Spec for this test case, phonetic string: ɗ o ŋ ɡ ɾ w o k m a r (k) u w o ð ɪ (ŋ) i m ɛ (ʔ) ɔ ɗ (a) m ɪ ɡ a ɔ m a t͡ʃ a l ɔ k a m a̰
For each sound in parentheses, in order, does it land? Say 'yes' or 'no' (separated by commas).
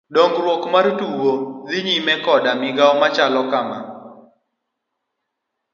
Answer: no, no, no, yes